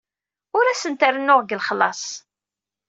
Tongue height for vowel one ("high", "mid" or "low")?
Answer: high